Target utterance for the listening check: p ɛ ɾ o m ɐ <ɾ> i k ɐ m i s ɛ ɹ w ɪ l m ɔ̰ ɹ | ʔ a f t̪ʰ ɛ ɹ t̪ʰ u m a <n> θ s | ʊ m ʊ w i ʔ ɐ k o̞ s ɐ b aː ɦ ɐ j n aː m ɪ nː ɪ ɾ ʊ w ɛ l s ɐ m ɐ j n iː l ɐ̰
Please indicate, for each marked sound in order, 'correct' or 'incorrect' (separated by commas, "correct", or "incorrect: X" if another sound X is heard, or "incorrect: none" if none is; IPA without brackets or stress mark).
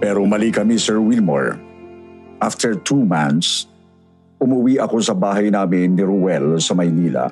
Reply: incorrect: l, correct